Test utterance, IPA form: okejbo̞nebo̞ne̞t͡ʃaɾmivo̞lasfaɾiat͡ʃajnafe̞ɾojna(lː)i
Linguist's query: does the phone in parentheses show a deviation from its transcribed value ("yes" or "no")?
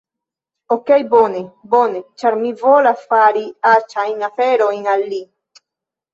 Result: no